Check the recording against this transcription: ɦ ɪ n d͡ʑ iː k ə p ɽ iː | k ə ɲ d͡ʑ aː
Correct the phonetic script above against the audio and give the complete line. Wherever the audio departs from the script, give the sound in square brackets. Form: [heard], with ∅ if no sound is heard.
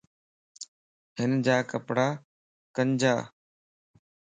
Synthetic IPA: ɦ ɪ n d͡ʑ [aː] k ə p ɽ [aː] | k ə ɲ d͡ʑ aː

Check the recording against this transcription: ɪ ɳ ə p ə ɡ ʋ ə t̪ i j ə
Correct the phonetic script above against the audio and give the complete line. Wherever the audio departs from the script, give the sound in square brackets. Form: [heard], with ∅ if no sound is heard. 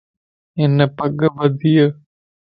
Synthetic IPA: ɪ [n] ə p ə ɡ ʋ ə [d̪] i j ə

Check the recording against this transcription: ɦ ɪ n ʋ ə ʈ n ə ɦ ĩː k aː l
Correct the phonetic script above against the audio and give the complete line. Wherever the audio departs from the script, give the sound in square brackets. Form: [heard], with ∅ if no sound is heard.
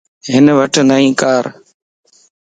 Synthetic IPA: ɦ ɪ n ʋ ə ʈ n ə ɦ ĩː k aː [ɾ]

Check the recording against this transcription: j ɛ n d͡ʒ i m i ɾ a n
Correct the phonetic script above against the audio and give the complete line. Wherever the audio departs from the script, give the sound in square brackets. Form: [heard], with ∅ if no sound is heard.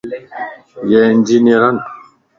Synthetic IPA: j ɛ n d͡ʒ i [n] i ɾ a n

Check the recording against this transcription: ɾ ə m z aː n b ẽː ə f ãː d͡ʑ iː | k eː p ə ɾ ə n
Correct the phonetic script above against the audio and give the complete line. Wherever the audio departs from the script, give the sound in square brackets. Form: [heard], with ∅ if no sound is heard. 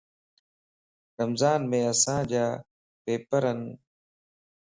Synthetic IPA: ɾ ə m z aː n [m] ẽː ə [s] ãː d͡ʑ [aː] | [p] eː p ə ɾ ə n

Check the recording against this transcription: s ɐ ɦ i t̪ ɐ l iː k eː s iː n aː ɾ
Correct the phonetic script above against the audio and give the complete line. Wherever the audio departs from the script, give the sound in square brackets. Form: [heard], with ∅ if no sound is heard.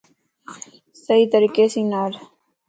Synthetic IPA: s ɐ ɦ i t̪ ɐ [ɾ] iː k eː s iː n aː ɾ

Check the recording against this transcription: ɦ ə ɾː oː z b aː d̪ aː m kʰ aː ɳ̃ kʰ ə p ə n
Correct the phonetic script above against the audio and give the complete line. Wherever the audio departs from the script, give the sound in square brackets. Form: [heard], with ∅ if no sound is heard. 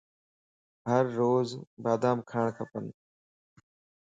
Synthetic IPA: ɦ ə ɾː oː z b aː d̪ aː m kʰ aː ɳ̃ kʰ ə p ə n

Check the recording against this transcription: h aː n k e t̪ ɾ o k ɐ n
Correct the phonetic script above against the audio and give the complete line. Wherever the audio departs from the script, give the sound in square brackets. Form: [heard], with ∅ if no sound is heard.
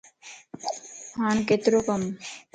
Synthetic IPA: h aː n k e t̪ ɾ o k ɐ [m]

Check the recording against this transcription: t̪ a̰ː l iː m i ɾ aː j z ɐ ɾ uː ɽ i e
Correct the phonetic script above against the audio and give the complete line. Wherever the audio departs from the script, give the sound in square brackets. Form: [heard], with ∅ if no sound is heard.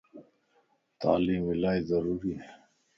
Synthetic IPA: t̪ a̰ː l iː m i [l] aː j z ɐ ɾ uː [ɾ] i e

